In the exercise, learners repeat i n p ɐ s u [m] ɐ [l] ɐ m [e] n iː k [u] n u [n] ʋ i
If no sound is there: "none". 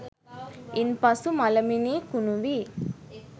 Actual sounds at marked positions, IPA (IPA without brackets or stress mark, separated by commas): m, l, i, u, none